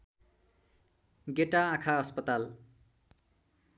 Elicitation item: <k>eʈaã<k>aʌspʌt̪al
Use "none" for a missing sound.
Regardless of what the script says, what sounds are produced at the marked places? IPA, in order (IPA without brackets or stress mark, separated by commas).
ɡ, kʰ